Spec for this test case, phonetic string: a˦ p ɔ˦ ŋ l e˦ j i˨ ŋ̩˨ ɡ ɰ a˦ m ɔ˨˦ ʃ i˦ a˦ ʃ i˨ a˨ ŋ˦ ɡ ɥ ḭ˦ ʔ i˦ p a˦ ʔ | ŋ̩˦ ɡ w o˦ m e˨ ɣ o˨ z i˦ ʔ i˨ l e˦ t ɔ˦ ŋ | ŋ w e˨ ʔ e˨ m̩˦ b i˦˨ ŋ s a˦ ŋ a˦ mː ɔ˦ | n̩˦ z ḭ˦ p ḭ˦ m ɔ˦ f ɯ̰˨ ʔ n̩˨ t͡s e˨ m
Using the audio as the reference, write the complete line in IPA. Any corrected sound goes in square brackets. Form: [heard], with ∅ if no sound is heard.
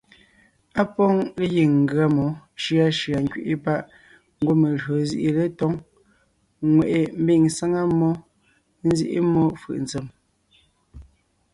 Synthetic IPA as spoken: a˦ p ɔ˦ ŋ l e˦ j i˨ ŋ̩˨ ɡ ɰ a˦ m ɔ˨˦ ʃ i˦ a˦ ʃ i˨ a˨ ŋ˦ [k] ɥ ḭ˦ ʔ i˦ p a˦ ʔ | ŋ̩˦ ɡ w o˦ m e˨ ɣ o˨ z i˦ ʔ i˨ l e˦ t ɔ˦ ŋ | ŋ w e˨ ʔ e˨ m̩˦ b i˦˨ ŋ s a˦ ŋ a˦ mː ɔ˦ | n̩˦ z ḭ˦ [ʔ] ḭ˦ m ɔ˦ f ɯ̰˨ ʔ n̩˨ t͡s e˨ m